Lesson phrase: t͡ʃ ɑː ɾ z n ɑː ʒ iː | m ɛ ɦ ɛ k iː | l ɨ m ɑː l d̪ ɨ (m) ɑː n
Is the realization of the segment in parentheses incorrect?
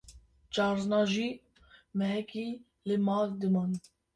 no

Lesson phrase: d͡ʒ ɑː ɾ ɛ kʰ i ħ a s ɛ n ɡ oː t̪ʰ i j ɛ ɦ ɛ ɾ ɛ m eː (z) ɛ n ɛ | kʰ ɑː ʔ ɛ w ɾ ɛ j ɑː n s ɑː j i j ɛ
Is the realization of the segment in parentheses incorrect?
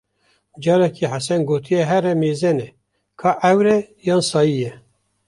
no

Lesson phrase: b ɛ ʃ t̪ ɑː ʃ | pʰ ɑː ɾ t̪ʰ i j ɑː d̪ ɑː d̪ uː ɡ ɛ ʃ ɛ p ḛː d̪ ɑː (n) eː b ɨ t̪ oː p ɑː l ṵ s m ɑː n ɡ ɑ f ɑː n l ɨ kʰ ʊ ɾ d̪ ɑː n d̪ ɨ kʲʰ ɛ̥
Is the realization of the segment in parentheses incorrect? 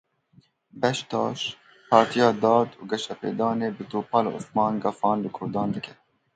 no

